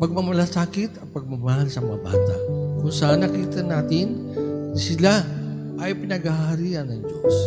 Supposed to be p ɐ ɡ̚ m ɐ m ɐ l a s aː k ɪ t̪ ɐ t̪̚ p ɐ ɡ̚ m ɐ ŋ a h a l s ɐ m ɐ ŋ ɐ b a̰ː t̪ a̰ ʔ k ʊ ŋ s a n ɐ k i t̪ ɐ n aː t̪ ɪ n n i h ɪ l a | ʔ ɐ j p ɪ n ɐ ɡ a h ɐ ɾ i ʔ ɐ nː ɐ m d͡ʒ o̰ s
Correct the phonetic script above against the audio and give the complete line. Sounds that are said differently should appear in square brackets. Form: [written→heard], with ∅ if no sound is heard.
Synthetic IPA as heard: p ɐ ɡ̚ m ɐ m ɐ l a s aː k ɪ t̪ ɐ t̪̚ p ɐ ɡ̚ m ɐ [ŋ→m] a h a l s ɐ m ɐ ŋ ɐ b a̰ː t̪ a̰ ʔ k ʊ ŋ s a n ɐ k i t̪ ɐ n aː t̪ ɪ n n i [h→s] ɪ l a | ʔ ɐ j p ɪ n ɐ ɡ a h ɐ ɾ i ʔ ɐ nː ɐ [m→ŋ] d͡ʒ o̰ s